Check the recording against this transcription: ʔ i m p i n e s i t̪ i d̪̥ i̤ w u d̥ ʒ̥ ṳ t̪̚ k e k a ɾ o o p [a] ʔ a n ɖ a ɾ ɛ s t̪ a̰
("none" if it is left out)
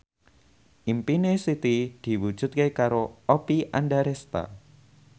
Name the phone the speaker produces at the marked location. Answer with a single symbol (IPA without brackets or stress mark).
i